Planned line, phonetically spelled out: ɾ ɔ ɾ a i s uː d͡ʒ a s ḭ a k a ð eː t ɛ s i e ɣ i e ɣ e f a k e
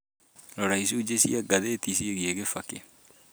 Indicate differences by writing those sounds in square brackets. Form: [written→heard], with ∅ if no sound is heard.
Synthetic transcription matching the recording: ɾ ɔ ɾ a i s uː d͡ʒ [a→e] s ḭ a [k→ɡ] a ð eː t [ɛ→i] s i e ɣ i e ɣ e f a k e